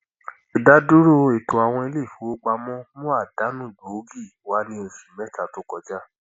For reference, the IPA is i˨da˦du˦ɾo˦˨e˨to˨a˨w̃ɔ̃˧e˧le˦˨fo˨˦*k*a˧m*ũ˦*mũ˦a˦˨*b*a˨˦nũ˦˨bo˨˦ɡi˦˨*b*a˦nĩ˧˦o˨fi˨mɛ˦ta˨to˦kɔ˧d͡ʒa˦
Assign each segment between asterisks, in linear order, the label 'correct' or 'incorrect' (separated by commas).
incorrect, incorrect, incorrect, incorrect